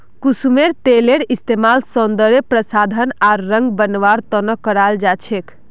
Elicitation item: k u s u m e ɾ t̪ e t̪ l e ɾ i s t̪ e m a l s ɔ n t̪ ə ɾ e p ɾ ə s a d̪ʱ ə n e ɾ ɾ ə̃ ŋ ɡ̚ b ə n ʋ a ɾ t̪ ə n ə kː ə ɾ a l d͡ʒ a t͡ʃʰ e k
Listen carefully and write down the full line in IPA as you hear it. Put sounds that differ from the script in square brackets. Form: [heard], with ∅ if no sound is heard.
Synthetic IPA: k u s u m e ɾ t̪ e [∅] l e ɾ i s t̪ e m a l s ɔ n [d̪] ə ɾ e p ɾ ə s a d̪ʱ ə n [a] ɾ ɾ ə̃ ŋ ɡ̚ b ə n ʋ a ɾ t̪ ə n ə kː ə ɾ a l d͡ʒ a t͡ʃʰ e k